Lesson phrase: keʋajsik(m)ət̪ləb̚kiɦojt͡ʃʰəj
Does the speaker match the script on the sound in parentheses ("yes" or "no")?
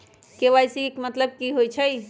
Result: yes